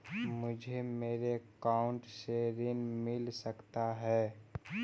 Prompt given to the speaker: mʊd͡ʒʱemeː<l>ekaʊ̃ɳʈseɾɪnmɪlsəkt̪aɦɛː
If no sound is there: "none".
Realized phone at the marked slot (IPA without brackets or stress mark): ɾ